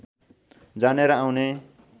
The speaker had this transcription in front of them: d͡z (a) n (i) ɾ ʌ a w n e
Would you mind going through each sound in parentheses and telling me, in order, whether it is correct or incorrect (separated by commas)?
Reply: correct, incorrect